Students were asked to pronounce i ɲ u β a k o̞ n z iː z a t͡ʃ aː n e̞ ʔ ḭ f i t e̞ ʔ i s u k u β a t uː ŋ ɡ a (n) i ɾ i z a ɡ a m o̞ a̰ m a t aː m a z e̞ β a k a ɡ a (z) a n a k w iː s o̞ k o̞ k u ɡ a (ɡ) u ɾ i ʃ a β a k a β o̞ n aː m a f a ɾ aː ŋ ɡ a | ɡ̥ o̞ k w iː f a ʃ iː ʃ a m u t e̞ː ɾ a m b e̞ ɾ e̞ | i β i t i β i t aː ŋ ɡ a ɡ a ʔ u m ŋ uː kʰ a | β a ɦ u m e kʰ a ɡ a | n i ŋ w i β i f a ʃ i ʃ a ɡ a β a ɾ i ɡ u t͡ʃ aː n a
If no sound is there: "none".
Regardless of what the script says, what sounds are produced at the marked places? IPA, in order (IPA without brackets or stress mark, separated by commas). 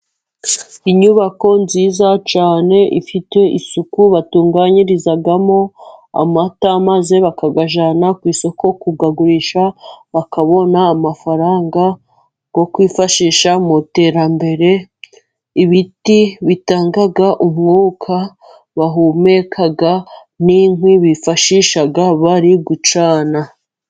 ɲ, ʒ, ɡ